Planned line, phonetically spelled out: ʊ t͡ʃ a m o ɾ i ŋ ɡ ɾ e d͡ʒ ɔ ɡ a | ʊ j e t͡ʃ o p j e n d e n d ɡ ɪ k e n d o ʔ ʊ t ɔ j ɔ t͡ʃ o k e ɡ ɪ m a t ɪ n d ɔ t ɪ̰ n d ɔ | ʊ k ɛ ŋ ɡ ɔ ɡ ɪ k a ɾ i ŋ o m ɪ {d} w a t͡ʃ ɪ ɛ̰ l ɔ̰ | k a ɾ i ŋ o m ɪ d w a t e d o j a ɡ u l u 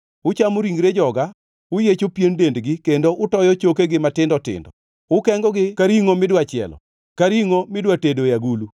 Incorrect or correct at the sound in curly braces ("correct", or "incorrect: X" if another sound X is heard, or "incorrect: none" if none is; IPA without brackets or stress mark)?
correct